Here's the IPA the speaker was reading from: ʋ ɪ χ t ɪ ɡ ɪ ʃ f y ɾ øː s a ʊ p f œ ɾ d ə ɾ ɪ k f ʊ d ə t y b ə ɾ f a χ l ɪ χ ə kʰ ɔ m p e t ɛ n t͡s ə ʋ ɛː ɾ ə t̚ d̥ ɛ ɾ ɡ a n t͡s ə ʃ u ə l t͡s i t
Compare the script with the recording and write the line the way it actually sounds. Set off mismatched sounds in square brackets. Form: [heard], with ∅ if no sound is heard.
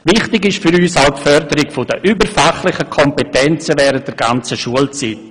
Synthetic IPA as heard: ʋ ɪ χ t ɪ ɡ ɪ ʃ f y ɾ [yː] s a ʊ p f œ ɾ d ə ɾ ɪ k f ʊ d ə [ʔ] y b ə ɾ f a χ l ɪ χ ə kʰ ɔ m p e t ɛ n t͡s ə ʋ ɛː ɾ ə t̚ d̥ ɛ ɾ ɡ a n t͡s ə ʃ u ə l t͡s i t